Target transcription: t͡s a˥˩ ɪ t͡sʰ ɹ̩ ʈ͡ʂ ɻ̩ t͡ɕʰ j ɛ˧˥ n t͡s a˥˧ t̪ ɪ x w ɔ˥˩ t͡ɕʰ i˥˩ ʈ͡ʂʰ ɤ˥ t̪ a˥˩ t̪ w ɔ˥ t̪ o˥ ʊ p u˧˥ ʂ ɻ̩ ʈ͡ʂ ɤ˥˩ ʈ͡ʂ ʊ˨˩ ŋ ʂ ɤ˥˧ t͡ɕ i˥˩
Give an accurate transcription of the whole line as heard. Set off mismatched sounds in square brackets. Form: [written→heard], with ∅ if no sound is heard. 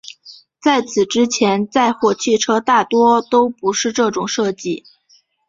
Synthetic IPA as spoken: t͡s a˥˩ ɪ t͡sʰ ɹ̩ ʈ͡ʂ ɻ̩ t͡ɕʰ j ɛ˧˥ n t͡s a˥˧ [t̪→∅] ɪ x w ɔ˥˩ t͡ɕʰ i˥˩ ʈ͡ʂʰ ɤ˥ t̪ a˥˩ t̪ w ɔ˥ t̪ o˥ ʊ p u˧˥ ʂ ɻ̩ ʈ͡ʂ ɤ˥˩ ʈ͡ʂ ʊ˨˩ ŋ ʂ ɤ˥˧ t͡ɕ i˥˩